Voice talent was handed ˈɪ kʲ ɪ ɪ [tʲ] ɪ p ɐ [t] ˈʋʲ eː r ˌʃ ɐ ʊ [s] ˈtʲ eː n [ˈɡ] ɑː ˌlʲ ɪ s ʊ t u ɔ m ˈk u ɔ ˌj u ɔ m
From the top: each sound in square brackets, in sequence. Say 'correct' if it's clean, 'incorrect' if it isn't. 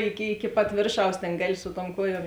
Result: incorrect: kʲ, correct, correct, correct

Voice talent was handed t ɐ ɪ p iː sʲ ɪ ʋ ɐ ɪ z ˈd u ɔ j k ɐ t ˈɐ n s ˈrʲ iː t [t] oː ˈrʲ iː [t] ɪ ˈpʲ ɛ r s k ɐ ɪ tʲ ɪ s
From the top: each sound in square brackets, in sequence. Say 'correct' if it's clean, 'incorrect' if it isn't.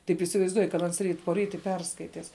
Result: incorrect: p, correct

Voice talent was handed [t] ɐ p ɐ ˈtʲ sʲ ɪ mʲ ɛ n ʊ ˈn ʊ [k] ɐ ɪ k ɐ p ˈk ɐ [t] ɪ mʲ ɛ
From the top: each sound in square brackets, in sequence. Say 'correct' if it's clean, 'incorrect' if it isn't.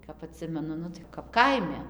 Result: incorrect: k, incorrect: t, incorrect: none

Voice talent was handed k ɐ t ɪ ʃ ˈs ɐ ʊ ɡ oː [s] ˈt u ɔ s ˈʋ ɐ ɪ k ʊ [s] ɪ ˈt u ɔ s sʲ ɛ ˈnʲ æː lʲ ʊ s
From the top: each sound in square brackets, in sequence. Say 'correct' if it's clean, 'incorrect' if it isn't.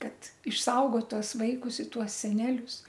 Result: incorrect: t, correct

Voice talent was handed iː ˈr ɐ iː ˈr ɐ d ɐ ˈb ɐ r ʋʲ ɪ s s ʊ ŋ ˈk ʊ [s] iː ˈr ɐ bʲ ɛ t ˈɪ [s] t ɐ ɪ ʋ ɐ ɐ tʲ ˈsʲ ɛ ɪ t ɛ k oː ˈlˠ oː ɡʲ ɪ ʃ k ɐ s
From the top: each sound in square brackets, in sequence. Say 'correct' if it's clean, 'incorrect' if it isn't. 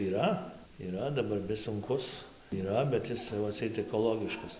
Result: correct, correct

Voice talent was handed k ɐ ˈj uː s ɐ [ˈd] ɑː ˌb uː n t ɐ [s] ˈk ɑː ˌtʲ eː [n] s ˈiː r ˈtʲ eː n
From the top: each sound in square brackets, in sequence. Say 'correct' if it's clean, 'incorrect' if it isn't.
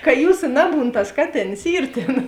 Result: incorrect: n, correct, correct

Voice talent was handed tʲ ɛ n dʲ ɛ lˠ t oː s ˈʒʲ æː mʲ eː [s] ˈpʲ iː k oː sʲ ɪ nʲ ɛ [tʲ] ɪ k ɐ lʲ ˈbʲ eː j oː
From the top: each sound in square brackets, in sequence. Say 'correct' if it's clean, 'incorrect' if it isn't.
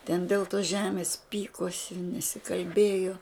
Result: correct, incorrect: sʲ

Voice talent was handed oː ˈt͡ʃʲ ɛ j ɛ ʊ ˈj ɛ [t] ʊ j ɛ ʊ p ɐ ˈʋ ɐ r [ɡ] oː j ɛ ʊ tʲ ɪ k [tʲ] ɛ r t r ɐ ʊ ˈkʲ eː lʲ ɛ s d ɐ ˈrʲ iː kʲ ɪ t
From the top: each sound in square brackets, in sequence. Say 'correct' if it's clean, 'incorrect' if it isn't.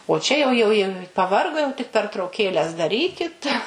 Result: incorrect: none, correct, incorrect: pʲ

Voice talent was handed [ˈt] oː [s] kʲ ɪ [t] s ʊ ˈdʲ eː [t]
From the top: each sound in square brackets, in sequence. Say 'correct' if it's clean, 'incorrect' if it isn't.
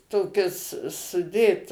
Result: correct, incorrect: none, incorrect: s, correct

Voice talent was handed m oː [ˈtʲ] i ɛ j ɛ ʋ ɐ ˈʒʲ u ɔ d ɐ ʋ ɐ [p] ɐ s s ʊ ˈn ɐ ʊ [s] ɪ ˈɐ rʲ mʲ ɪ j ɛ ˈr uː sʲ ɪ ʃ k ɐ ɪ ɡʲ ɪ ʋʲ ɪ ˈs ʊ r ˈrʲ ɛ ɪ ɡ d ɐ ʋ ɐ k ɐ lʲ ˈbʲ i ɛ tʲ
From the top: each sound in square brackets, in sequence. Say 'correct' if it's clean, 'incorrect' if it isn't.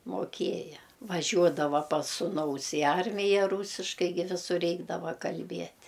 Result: incorrect: kʲ, correct, correct

